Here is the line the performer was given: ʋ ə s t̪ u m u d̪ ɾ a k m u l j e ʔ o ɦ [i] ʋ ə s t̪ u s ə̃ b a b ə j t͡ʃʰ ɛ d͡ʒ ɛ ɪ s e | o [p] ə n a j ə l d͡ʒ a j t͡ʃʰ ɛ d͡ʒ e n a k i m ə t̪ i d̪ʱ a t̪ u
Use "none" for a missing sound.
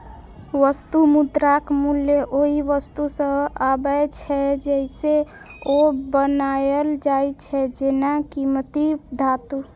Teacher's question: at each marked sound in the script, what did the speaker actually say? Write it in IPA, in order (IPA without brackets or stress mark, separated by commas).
i, b